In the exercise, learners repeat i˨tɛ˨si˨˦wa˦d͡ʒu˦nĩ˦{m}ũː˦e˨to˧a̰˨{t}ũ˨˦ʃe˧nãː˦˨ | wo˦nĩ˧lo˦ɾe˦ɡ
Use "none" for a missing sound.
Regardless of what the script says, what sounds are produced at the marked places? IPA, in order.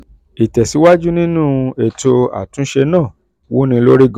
n, t

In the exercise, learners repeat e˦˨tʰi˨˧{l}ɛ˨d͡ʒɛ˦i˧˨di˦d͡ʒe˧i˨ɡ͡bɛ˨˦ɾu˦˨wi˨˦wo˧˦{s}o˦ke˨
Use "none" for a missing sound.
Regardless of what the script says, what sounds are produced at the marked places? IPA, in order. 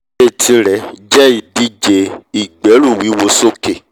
ɾ, s

